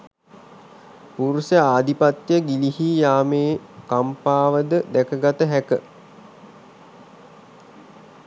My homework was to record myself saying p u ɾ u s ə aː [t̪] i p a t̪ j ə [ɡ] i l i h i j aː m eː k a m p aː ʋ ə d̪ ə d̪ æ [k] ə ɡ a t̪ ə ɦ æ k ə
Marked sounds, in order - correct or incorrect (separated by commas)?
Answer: incorrect, correct, correct